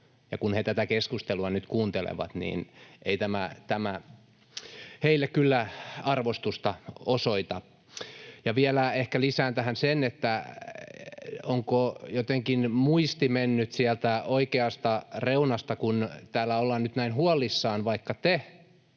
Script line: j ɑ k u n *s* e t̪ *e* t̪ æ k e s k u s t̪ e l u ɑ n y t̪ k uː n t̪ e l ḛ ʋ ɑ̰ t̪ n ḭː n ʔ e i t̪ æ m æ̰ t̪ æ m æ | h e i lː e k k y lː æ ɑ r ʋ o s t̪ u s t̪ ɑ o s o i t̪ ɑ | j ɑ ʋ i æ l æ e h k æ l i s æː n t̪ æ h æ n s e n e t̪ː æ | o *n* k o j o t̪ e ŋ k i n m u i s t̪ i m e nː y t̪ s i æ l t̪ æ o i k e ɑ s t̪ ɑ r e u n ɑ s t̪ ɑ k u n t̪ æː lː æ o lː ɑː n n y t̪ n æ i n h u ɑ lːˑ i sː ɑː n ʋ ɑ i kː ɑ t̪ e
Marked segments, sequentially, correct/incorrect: incorrect, incorrect, incorrect

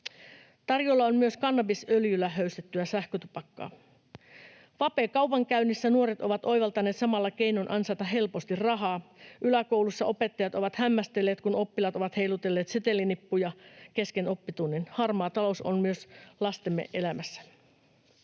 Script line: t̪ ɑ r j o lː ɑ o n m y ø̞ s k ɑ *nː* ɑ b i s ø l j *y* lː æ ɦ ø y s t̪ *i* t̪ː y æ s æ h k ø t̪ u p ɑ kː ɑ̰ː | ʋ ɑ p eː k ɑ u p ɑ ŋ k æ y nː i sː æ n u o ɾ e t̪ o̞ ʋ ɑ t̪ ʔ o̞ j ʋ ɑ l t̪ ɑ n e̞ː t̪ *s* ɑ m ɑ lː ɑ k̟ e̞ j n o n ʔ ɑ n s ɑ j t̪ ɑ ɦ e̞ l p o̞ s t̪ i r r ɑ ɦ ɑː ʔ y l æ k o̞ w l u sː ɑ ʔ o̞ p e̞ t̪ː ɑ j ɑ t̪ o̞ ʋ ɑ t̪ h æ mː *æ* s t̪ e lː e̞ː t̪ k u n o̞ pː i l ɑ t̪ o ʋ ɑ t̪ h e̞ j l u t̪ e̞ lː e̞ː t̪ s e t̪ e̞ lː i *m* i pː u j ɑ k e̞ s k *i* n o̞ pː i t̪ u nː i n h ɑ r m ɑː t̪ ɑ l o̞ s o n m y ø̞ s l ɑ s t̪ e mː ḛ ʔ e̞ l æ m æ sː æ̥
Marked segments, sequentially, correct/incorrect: correct, correct, incorrect, correct, correct, incorrect, incorrect

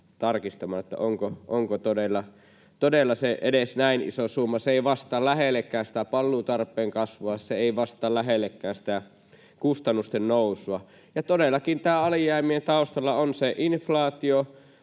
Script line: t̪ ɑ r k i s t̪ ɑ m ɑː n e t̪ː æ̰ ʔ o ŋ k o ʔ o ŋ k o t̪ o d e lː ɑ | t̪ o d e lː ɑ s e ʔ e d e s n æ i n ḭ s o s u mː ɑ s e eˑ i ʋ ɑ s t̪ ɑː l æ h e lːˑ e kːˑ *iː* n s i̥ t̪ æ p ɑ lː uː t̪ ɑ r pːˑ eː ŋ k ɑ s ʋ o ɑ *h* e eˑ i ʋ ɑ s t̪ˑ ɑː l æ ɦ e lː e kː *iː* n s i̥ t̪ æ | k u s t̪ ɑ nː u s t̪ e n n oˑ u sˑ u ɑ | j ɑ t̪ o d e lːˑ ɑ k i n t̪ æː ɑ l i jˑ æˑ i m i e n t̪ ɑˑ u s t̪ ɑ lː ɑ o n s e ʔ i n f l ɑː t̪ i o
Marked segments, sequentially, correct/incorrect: incorrect, incorrect, incorrect

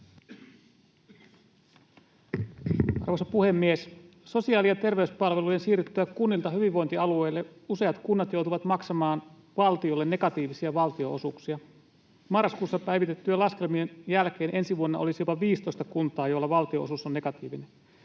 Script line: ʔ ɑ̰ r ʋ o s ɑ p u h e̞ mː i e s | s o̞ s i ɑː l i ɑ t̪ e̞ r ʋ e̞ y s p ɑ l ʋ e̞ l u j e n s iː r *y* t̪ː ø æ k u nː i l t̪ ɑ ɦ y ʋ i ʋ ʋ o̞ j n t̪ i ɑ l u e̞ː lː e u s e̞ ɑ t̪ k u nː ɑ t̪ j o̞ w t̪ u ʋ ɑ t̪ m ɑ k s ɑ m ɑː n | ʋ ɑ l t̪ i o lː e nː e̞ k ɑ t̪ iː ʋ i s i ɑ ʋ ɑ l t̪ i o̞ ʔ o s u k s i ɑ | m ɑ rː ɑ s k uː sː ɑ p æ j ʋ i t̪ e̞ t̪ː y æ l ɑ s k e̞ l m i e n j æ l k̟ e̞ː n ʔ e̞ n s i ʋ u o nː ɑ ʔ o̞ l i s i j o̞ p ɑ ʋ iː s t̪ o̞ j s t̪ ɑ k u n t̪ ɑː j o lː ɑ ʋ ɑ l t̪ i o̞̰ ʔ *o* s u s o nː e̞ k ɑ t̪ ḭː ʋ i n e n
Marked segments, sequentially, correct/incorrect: correct, correct

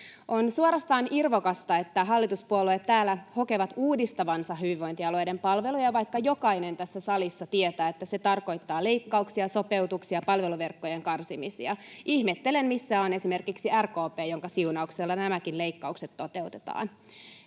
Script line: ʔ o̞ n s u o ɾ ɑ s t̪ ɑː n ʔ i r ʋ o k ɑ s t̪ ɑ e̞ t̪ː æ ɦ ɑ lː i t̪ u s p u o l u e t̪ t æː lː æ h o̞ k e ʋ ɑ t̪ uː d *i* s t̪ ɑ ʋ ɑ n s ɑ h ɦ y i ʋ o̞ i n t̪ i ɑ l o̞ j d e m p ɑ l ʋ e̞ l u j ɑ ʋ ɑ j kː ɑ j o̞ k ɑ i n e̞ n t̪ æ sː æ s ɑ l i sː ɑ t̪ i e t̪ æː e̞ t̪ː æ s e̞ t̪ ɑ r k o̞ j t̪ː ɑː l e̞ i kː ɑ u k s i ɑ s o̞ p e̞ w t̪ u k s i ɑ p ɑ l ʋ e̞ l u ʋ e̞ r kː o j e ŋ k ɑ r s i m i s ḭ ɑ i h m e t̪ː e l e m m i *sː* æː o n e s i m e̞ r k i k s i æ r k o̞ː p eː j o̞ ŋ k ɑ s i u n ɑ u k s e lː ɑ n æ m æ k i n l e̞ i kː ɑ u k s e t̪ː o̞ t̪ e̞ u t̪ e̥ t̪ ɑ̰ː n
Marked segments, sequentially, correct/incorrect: correct, correct

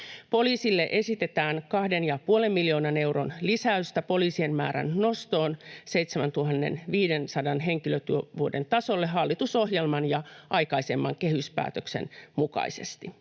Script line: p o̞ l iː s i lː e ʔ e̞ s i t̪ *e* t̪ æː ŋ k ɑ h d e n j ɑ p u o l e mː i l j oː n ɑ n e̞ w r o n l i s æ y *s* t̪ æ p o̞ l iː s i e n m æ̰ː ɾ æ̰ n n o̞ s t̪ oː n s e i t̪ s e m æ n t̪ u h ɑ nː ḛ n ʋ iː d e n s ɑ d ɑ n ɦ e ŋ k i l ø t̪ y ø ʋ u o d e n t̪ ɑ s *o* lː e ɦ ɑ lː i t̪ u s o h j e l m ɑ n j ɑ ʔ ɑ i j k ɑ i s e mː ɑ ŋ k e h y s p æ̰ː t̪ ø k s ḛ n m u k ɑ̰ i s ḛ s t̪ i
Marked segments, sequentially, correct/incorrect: correct, correct, correct

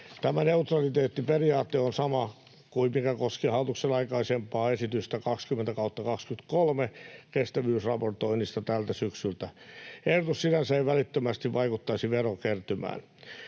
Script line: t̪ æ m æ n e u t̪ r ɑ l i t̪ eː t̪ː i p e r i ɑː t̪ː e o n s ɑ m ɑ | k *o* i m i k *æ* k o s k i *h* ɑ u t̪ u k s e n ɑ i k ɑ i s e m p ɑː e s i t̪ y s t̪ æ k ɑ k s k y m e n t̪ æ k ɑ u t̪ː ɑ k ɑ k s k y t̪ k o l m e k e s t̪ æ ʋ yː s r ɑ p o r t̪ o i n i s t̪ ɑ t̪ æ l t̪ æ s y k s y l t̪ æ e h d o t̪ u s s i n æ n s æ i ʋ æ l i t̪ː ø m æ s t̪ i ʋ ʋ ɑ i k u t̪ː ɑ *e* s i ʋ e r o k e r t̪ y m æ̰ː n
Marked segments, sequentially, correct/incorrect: incorrect, correct, correct, incorrect

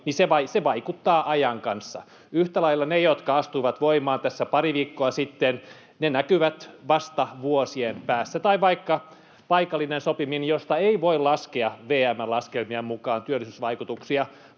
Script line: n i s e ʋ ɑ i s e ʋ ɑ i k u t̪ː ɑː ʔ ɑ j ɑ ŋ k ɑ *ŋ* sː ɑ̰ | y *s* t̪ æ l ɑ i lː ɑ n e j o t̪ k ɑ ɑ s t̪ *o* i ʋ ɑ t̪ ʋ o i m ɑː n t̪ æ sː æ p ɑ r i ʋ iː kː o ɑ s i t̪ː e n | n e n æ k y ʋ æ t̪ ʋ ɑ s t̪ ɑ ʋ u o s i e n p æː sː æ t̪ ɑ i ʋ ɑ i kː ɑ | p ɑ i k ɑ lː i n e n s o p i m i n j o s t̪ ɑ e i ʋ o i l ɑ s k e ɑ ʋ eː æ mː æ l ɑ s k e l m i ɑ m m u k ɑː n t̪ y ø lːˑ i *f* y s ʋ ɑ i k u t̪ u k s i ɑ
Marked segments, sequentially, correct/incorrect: incorrect, incorrect, incorrect, incorrect

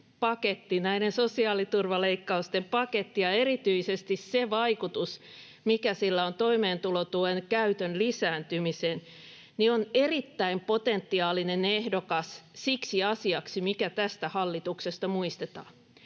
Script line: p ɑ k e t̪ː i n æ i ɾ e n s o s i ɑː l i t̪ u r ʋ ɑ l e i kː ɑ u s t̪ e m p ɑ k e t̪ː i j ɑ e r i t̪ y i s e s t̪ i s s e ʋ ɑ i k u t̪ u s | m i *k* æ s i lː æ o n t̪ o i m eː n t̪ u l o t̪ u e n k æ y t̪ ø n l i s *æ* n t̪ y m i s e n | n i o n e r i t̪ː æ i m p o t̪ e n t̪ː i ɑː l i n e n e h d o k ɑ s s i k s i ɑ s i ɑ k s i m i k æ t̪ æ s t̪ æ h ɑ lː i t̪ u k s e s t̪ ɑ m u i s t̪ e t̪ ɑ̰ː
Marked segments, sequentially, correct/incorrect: correct, incorrect

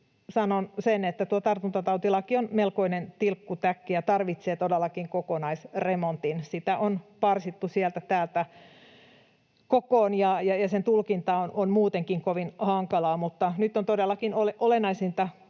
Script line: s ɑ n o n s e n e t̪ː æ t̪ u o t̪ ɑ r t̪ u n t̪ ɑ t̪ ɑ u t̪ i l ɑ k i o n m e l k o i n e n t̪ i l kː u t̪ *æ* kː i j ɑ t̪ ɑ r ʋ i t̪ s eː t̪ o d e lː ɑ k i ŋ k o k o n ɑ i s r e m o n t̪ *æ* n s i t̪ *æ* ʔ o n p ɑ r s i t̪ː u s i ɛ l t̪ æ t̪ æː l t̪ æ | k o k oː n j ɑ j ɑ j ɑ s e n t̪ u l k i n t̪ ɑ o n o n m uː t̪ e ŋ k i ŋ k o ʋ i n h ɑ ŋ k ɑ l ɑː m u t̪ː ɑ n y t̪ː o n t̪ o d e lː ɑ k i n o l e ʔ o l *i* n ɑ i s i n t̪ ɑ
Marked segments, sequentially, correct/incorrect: correct, incorrect, correct, incorrect

